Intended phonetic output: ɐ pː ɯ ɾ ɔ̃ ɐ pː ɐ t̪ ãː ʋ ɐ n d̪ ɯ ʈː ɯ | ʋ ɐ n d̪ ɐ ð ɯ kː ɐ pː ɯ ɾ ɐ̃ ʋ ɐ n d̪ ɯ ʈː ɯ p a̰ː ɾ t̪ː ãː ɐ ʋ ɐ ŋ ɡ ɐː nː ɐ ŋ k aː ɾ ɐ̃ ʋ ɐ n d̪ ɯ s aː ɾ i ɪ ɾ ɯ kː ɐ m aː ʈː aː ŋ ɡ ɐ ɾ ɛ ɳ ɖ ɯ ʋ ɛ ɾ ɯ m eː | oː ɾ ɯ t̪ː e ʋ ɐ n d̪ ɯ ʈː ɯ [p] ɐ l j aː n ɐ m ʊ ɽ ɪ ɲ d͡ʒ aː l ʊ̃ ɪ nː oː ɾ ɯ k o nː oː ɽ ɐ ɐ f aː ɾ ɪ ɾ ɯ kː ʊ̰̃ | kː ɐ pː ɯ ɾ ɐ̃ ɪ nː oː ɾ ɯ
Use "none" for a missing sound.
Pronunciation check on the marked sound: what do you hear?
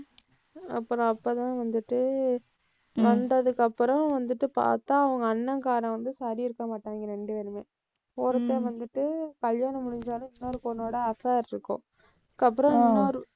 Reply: k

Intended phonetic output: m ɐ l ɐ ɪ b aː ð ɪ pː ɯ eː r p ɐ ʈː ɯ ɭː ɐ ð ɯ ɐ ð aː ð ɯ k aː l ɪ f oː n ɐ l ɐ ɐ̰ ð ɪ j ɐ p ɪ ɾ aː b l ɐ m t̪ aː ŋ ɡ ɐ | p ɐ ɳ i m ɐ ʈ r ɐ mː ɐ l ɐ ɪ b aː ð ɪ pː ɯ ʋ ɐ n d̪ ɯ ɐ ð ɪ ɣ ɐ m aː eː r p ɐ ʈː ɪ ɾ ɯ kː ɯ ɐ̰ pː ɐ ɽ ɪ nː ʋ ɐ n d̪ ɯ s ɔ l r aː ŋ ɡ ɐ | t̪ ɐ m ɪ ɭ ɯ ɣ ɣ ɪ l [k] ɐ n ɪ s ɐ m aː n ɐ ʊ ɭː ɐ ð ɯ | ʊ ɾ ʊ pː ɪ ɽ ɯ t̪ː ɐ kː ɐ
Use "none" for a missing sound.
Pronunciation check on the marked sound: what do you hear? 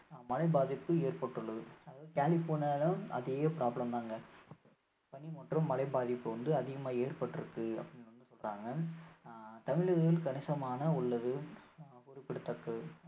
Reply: k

